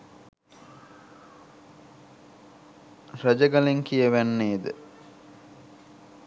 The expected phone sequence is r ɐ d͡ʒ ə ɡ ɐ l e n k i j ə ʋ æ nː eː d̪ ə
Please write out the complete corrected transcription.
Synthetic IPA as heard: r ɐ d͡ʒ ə ɡ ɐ l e ŋ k i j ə ʋ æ nː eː d̪ ə